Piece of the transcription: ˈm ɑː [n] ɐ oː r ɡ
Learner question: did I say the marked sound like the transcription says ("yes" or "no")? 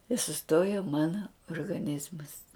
yes